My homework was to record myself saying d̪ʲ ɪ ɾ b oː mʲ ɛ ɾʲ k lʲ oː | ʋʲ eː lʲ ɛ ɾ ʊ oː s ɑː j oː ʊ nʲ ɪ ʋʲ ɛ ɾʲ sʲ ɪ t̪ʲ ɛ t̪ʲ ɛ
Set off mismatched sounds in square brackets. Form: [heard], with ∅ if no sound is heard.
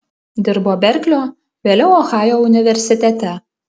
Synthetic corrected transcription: d̪ʲ ɪ ɾ b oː [bʲ] ɛ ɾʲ k lʲ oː | ʋʲ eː lʲ ɛ [∅] ʊ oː [x] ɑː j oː ʊ nʲ ɪ ʋʲ ɛ ɾʲ sʲ ɪ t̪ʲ ɛ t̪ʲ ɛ

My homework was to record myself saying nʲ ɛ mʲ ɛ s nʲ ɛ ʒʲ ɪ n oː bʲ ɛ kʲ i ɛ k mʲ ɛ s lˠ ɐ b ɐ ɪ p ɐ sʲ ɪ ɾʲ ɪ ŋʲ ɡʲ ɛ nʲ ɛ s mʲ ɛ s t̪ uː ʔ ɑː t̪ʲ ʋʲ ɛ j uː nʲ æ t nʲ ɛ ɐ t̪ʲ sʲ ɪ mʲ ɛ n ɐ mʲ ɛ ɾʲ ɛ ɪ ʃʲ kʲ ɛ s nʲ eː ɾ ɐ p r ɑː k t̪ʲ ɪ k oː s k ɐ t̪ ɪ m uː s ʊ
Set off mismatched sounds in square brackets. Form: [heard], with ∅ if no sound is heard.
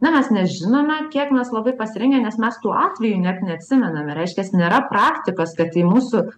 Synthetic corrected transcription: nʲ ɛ mʲ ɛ s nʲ ɛ ʒʲ ɪ n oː [mʲ] ɛ kʲ i ɛ k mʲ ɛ s lˠ ɐ b ɐ ɪ p ɐ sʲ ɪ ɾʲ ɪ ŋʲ ɡʲ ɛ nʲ ɛ s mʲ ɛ s t̪ uː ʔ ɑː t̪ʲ ʋʲ ɛ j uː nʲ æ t nʲ ɛ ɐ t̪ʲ sʲ ɪ mʲ ɛ n ɐ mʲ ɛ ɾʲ ɛ ɪ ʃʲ kʲ ɛ s nʲ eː ɾ ɐ p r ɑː k t̪ʲ ɪ k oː s k ɐ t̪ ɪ m uː s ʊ

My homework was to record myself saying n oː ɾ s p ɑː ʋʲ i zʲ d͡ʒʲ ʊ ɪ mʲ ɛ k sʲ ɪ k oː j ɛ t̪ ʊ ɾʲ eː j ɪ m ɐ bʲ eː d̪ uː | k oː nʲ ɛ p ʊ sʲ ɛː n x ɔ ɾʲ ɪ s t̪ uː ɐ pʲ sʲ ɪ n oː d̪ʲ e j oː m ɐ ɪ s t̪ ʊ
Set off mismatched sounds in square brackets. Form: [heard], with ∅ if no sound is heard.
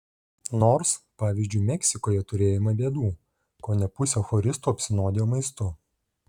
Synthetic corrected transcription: n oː ɾ s p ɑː ʋʲ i zʲ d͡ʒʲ ʊ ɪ mʲ ɛ k sʲ ɪ k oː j ɛ t̪ ʊ ɾʲ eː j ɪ m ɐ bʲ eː d̪ uː | k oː nʲ ɛ p ʊ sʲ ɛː [∅] x ɔ ɾʲ ɪ s t̪ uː ɐ pʲ sʲ ɪ n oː d̪ʲ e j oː m ɐ ɪ s t̪ ʊ

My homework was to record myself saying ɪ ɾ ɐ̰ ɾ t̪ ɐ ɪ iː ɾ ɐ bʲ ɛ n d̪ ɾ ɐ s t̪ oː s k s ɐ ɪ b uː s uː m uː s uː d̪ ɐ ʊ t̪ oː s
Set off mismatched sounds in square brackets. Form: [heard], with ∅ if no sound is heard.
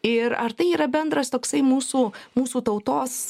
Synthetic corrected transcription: ɪ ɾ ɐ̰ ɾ t̪ ɐ ɪ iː ɾ ɐ bʲ ɛ n d̪ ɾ ɐ s t̪ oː [∅] k s ɐ ɪ [m] uː s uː m uː s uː [t̪] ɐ ʊ t̪ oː s

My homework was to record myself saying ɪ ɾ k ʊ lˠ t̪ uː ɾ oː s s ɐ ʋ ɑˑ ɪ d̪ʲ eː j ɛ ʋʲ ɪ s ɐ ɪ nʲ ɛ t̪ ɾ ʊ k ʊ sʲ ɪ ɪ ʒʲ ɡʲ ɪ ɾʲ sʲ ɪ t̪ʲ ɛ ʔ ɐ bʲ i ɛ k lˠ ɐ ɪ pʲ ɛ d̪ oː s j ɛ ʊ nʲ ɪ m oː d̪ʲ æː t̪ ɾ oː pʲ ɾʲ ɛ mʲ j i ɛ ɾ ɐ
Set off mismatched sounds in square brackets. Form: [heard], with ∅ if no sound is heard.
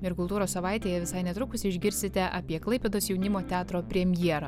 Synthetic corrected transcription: ɪ ɾ k ʊ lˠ t̪ uː ɾ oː s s ɐ ʋ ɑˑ ɪ [t̪ʲ] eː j ɛ ʋʲ ɪ s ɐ ɪ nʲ ɛ t̪ ɾ ʊ k ʊ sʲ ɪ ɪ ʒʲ ɡʲ ɪ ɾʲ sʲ ɪ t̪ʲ ɛ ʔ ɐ [pʲ] i ɛ k lˠ ɐ ɪ pʲ ɛ d̪ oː s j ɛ ʊ nʲ ɪ m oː [t̪ʲ] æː t̪ ɾ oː pʲ ɾʲ ɛ mʲ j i ɛ ɾ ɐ

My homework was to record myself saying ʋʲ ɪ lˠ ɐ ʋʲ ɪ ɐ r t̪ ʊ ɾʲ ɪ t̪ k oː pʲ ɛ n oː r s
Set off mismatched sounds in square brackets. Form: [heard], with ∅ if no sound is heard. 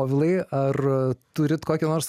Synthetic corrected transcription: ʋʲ ɪ lˠ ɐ [∅] ɪ ɐ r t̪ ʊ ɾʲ ɪ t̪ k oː [kʲ] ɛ n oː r s

